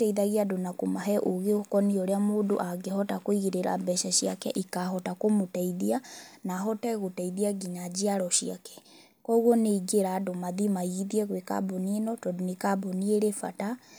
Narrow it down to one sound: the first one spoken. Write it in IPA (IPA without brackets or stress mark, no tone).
t